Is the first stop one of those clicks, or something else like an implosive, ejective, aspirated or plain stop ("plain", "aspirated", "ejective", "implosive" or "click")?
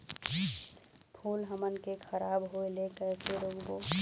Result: aspirated